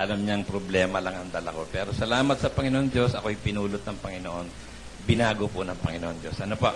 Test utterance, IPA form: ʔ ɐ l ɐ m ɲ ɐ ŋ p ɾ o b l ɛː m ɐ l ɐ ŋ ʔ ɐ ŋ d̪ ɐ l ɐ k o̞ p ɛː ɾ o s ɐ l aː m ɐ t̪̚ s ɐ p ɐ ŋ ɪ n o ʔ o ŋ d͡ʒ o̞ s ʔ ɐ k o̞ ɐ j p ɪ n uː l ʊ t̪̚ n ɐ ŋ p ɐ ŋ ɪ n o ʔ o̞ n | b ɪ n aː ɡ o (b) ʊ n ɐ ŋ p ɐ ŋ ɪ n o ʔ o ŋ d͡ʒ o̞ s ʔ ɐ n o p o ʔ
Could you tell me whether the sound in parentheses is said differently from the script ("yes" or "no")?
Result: yes